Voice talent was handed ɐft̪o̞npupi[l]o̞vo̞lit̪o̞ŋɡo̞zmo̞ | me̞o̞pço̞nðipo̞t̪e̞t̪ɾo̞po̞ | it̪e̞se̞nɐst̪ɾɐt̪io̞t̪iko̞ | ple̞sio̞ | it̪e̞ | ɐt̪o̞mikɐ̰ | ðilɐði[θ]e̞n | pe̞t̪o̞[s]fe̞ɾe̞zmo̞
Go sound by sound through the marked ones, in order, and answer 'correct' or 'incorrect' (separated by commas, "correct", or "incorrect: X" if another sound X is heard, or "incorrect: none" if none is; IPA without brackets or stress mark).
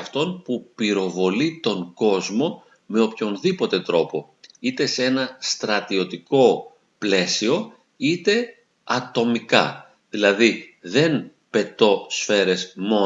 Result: incorrect: ɾ, incorrect: ð, correct